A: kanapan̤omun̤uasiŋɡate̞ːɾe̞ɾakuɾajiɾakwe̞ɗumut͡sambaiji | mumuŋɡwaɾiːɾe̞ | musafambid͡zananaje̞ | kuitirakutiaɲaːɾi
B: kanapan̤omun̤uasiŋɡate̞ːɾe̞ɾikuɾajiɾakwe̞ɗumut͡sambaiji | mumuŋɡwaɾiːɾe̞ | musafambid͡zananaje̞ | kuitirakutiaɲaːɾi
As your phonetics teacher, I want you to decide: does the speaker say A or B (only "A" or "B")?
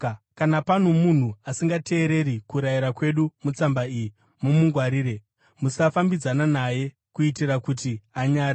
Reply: B